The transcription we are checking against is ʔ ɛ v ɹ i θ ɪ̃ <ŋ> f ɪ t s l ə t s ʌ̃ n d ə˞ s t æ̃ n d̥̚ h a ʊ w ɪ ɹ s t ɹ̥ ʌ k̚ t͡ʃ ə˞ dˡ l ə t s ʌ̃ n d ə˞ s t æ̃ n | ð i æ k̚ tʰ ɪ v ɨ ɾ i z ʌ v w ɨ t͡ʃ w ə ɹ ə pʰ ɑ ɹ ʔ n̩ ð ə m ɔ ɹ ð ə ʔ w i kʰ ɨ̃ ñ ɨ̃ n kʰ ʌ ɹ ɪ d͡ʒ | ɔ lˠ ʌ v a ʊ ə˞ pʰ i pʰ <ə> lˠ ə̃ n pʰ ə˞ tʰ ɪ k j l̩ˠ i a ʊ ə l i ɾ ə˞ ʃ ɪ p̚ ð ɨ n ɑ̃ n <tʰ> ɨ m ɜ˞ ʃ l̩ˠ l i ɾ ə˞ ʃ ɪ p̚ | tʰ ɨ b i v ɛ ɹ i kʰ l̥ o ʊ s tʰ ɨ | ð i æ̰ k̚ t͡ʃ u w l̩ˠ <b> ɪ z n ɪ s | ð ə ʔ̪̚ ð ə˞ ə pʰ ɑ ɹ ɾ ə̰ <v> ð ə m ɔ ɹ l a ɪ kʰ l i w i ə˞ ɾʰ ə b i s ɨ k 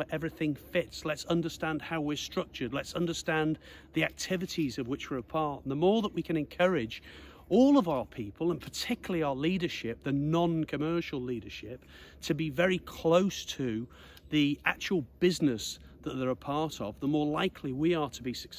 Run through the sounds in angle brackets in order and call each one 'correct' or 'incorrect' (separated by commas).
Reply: correct, correct, incorrect, correct, correct